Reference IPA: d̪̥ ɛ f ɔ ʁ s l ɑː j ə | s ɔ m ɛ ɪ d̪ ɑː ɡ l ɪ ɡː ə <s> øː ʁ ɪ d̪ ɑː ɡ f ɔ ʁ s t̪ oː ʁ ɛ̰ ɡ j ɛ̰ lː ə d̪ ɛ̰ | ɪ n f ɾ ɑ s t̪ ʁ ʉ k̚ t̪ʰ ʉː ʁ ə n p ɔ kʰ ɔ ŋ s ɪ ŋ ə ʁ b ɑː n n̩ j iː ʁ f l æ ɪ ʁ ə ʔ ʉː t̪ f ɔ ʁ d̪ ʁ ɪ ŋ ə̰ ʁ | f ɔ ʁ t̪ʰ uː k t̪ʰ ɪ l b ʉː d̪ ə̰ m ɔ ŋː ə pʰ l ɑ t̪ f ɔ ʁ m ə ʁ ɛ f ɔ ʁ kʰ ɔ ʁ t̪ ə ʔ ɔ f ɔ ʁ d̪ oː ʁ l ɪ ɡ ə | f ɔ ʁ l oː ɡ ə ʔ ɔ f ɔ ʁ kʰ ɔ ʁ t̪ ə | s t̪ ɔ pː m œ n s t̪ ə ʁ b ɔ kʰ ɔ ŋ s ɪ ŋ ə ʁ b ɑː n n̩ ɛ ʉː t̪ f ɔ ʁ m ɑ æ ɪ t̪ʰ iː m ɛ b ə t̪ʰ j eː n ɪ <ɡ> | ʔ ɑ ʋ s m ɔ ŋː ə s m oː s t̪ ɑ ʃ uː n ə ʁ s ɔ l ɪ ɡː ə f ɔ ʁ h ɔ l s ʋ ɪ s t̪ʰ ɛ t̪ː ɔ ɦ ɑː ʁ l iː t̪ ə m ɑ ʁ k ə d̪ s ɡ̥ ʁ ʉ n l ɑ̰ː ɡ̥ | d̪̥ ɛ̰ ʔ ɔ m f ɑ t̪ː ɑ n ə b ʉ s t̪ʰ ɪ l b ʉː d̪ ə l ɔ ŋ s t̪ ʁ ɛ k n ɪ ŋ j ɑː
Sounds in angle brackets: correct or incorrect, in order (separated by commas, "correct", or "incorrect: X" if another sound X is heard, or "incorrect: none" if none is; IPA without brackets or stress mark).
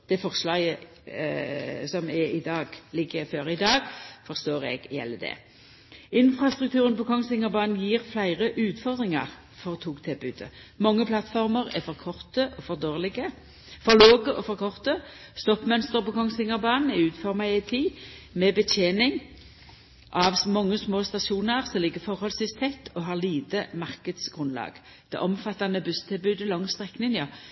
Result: incorrect: f, incorrect: ŋ